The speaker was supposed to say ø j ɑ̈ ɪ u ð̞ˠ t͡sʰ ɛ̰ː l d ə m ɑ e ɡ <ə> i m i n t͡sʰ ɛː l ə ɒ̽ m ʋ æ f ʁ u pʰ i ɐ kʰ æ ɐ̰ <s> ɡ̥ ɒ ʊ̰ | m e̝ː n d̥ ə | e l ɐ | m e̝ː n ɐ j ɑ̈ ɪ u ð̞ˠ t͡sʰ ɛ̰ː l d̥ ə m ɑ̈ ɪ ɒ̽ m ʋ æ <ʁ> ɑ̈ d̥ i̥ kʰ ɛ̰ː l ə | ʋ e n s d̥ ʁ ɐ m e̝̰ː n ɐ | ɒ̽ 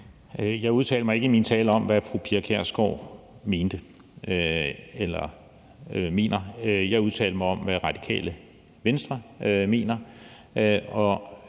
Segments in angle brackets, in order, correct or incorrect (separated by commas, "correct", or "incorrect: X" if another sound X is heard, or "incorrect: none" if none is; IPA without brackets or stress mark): correct, correct, correct